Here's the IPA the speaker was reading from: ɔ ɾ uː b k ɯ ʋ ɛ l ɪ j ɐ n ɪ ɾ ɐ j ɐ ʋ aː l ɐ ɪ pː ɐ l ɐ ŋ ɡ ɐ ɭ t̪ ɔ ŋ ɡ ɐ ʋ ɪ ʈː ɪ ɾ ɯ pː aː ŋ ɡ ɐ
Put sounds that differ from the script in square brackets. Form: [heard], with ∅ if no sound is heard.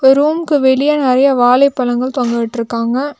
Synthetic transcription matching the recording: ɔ ɾ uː [m] k ɯ ʋ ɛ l ɪ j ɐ n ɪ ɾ ɐ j ɐ ʋ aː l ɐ ɪ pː ɐ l ɐ ŋ ɡ ɐ ɭ t̪ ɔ ŋ ɡ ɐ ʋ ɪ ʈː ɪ ɾ ɯ [kː] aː ŋ ɡ ɐ